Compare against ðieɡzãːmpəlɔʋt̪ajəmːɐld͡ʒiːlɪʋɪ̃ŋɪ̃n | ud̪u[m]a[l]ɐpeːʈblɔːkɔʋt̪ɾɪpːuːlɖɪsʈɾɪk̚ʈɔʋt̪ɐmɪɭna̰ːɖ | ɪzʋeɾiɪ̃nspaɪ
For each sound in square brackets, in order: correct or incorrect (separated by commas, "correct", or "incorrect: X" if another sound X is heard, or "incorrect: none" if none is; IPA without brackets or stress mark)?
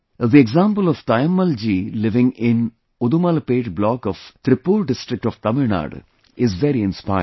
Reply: correct, correct